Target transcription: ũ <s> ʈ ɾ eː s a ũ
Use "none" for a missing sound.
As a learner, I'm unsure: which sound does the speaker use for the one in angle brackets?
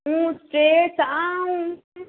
s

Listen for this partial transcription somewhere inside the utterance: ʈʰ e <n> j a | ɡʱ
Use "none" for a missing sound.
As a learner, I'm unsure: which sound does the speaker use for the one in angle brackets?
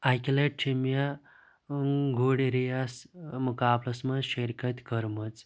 m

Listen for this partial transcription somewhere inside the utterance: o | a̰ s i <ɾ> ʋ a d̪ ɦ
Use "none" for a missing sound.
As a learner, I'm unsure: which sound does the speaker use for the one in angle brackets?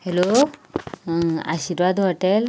ɾ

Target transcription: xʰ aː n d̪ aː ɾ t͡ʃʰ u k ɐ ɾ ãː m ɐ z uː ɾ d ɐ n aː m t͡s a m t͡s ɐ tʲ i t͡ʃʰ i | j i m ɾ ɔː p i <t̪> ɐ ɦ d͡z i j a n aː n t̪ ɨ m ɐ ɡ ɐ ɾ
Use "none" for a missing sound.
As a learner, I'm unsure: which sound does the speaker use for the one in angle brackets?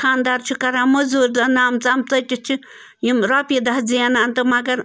d̪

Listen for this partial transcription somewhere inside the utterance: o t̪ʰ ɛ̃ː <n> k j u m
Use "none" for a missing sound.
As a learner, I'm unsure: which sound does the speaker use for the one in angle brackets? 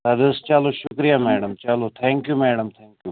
ŋ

